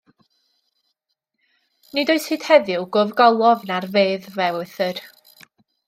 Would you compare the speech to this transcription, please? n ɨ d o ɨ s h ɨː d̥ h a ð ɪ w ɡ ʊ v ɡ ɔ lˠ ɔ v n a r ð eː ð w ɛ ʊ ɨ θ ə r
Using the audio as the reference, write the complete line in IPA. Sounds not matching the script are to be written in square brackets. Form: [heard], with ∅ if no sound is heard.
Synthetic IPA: n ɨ d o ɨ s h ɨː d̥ h [ɛ] ð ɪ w ɡ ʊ v ɡ ɔ lˠ ɔ v n a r [v] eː ð [v] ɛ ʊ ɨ θ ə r